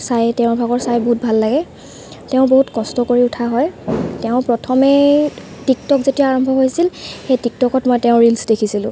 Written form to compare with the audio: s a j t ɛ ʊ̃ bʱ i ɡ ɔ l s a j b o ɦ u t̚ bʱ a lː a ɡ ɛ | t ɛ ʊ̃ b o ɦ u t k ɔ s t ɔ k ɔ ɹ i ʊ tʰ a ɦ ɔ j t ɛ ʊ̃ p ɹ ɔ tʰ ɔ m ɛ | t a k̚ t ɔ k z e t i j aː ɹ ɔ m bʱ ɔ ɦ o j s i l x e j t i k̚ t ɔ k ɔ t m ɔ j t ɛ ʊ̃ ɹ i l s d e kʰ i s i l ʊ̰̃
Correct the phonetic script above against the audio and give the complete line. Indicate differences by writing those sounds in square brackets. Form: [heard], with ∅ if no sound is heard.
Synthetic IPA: s a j t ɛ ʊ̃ bʱ [a] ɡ ɔ [ɹ] s a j b o ɦ u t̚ bʱ a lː a ɡ ɛ | t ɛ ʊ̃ b o ɦ u t k ɔ s t ɔ k [o] ɹ i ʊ tʰ a ɦ ɔ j t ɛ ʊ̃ p ɹ ɔ tʰ ɔ m ɛ | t [i] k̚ t ɔ k z e t i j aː ɹ ɔ m bʱ ɔ ɦ o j s i l x e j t i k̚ t ɔ k ɔ t m ɔ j t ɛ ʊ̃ ɹ i l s d e kʰ i s i l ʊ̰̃